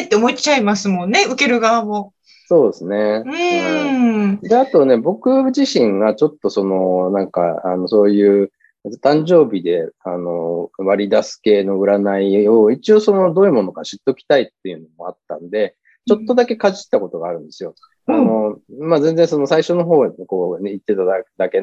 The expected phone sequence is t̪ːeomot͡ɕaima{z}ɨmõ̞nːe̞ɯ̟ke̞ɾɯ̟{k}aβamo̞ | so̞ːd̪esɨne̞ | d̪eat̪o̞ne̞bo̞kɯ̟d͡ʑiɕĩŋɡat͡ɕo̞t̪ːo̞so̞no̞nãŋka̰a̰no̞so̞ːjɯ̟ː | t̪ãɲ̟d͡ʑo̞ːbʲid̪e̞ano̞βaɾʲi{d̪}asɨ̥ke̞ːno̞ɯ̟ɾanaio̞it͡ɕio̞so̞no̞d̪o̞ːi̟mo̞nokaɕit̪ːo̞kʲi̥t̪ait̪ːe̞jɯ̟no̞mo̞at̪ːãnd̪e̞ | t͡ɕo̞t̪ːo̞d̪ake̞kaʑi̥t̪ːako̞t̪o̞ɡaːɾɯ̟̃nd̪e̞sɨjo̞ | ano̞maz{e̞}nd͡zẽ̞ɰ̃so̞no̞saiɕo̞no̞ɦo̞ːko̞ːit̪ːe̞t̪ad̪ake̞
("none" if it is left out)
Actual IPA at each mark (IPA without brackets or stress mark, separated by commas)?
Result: s, ɡ, d̪, ẽ̞